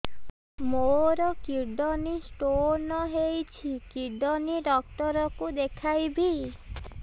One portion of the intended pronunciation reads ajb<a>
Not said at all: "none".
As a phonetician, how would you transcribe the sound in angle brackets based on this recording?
i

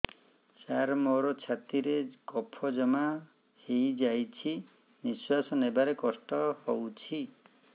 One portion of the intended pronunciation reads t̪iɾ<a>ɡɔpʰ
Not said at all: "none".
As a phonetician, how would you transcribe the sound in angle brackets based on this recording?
e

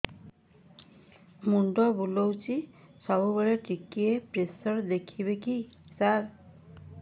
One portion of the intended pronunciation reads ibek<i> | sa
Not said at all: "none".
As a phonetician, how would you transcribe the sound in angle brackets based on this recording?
i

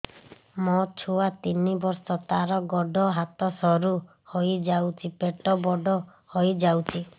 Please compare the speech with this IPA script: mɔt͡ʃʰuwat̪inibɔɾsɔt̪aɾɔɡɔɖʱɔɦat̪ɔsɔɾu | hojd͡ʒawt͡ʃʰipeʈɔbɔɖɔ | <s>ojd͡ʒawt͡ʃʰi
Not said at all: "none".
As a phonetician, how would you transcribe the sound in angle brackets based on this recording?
h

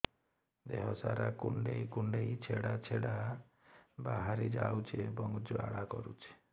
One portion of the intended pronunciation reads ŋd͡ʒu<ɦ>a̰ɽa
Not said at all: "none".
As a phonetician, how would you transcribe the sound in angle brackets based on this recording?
none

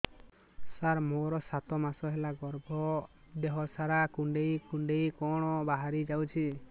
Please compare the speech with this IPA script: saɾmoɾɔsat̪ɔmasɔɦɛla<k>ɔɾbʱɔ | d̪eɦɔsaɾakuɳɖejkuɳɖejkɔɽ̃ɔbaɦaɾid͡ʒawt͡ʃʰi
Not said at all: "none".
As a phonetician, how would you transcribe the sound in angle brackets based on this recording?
ɡ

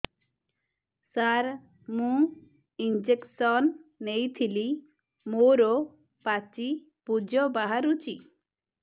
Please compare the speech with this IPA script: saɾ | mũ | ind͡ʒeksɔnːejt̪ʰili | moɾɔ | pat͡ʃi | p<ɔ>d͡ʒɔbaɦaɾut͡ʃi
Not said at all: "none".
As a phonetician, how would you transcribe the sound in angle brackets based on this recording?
u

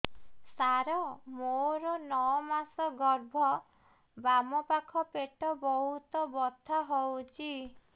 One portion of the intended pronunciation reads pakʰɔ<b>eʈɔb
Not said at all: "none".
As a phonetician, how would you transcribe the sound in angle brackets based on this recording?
p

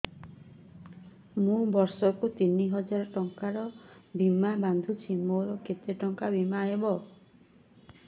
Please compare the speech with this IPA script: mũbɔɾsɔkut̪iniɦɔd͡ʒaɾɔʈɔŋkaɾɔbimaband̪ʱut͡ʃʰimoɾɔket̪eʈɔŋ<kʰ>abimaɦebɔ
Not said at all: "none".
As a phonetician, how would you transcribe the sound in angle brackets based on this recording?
k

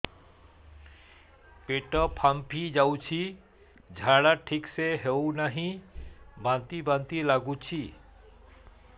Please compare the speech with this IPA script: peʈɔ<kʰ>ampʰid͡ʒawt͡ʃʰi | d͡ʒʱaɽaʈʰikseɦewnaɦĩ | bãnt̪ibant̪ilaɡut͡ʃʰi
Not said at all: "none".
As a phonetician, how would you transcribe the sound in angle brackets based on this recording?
pʰ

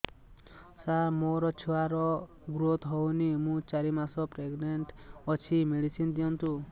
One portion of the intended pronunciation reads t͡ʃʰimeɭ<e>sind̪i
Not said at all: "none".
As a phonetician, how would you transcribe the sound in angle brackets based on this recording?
i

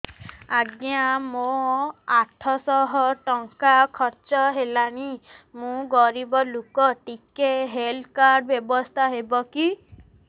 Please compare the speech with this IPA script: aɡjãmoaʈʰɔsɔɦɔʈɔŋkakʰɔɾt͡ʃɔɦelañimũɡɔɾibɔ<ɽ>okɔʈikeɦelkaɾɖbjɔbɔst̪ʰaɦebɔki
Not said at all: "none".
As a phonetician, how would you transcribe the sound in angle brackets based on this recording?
l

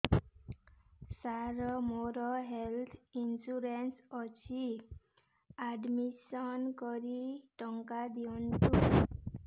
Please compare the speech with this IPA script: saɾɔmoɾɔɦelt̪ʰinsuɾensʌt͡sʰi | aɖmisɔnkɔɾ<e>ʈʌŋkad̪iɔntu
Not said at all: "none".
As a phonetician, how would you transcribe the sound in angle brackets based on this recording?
i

